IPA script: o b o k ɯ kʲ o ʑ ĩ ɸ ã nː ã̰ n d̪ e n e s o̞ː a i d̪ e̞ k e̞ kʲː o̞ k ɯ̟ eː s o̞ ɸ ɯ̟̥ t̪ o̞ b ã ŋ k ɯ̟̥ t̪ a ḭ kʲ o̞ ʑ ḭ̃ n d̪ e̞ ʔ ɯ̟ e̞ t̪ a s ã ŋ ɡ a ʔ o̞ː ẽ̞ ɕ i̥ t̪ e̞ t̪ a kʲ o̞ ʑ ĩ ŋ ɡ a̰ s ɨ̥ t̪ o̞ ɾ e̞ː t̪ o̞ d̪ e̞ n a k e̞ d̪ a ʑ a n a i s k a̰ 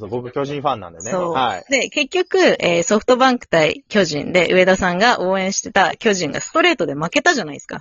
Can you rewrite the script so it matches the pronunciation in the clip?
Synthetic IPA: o b o k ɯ kʲ o ʑ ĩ ɸ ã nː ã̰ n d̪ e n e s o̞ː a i d̪ e̞ k e̞ kʲː o̞ k ɯ̟ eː s o̞ ɸ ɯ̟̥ t̪ o̞ b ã ŋ k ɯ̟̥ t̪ a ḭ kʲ o̞ ʑ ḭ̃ n d̪ e̞ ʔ ɯ̟ e̞ d̪ a s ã ŋ ɡ a ʔ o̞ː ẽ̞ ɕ i̥ t̪ e̞ t̪ a kʲ o̞ ʑ ĩ ŋ ɡ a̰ s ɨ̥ t̪ o̞ ɾ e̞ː t̪ o̞ d̪ e̞ m a k e̞ t̪ a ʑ a n a i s k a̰